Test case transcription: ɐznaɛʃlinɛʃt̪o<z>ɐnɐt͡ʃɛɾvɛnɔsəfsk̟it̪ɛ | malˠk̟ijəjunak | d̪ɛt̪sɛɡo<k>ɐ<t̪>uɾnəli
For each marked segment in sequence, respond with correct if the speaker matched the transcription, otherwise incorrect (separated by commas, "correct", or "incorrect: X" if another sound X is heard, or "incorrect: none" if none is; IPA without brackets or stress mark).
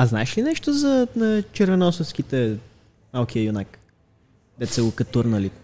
correct, correct, correct